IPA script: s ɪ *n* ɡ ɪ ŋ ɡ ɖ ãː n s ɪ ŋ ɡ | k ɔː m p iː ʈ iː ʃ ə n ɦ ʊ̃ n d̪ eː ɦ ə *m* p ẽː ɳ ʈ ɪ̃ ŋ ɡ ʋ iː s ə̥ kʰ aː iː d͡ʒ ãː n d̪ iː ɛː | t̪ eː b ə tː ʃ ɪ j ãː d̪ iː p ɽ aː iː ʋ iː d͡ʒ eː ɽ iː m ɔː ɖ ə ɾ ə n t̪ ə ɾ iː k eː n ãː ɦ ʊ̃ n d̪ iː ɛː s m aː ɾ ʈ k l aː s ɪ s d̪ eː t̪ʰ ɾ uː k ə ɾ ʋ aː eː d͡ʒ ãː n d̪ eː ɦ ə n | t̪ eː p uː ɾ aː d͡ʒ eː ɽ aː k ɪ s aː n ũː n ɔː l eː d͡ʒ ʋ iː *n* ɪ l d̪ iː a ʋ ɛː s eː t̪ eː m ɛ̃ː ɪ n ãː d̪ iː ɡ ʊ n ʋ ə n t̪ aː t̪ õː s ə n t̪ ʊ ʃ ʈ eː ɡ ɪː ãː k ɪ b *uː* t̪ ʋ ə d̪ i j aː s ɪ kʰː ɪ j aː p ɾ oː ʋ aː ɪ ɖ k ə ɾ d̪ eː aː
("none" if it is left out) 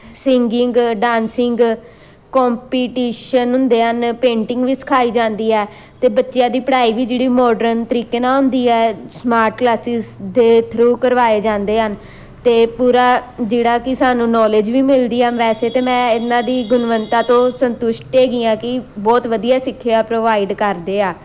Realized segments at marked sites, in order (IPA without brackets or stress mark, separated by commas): ŋ, n, m, ɔː